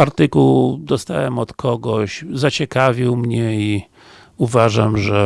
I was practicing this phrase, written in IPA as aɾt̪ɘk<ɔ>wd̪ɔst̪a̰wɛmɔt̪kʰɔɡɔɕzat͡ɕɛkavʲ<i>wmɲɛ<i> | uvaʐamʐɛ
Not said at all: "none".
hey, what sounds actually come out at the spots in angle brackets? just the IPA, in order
u, i, i

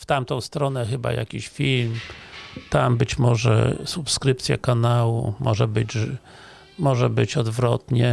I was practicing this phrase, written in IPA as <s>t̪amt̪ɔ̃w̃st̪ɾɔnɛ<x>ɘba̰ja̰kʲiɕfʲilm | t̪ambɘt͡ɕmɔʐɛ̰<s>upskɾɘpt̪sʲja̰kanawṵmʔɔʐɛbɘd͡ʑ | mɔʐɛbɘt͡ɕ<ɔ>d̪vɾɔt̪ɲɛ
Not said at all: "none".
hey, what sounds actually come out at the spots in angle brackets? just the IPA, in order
f, x, s, ɔ

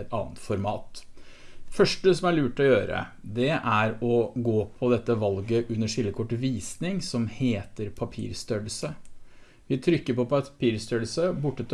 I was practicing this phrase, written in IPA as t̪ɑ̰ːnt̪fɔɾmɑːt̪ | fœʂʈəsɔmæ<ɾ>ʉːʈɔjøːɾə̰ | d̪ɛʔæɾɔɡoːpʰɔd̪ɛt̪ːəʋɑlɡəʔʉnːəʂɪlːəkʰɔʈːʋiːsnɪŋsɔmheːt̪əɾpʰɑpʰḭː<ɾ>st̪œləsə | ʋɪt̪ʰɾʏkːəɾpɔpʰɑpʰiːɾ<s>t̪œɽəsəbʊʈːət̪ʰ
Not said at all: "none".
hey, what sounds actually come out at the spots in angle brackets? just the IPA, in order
ɭ, ɾ, s

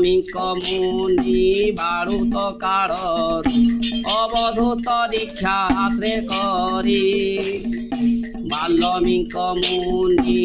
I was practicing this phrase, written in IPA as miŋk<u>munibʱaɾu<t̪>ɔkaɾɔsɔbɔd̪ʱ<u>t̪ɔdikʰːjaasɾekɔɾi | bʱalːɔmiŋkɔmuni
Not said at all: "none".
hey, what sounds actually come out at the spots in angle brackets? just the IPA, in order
ɔ, t̪, u

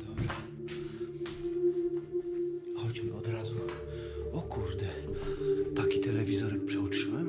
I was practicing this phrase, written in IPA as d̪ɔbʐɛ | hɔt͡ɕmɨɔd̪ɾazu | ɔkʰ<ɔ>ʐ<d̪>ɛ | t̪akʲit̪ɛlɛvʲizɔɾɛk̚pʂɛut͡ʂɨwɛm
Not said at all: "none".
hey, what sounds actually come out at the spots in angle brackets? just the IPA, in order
u, d̪

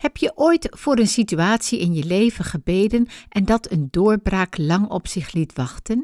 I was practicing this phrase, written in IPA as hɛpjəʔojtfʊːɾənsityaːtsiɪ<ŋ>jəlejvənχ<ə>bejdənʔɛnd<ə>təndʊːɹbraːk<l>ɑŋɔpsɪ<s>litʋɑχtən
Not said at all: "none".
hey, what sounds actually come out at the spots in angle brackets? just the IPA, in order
n, ə, ɑ, l, χ

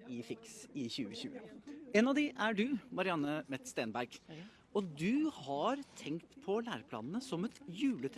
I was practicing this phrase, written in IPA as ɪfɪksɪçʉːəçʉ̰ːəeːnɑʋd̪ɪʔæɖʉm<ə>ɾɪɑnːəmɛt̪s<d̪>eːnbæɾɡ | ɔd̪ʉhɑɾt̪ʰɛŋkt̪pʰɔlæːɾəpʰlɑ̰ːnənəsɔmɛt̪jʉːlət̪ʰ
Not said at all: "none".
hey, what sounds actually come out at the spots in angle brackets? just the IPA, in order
ɑ, t̪

